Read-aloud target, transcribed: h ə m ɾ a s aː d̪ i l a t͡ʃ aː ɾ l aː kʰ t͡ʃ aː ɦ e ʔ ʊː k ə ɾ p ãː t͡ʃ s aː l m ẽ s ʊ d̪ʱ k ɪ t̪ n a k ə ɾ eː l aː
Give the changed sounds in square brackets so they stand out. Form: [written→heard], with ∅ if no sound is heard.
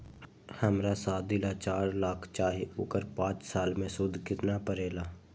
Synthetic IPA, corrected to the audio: h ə m ɾ a s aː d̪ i l a t͡ʃ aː ɾ l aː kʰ t͡ʃ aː ɦ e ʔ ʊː k ə ɾ p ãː t͡ʃ s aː l m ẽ s ʊ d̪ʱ k ɪ t̪ n a [k→p] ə ɾ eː l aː